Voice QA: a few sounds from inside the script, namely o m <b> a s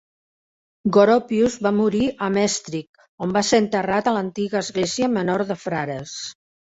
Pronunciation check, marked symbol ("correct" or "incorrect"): correct